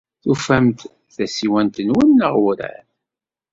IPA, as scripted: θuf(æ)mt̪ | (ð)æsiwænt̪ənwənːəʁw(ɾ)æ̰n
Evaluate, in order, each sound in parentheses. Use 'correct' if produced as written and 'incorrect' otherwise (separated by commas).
correct, incorrect, correct